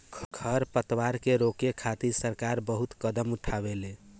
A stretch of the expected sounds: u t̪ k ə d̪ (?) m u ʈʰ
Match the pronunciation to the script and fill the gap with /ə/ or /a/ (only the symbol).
ə